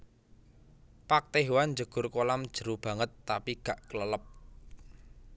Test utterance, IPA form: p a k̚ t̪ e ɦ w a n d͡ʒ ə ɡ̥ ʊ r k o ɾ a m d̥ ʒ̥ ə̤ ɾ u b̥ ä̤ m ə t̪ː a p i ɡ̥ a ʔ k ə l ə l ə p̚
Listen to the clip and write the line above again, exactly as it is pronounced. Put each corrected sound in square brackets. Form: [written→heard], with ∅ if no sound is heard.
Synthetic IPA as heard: p a k̚ t̪ e ɦ w a n d͡ʒ ə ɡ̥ ʊ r k o [ɾ→l] a m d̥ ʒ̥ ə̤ ɾ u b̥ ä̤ [m→ŋ] ə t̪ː a p i ɡ̥ a ʔ k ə l ə l ə p̚